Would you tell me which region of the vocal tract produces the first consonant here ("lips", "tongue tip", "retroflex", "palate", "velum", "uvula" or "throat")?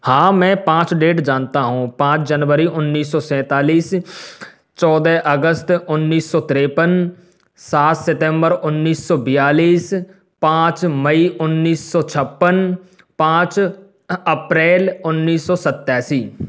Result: throat